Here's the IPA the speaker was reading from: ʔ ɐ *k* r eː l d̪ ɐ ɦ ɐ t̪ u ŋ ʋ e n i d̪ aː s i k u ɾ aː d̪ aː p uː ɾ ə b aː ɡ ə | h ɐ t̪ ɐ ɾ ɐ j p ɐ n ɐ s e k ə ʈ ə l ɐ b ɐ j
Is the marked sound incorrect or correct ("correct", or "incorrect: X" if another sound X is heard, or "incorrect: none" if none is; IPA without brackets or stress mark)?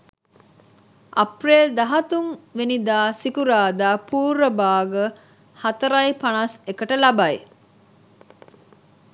incorrect: p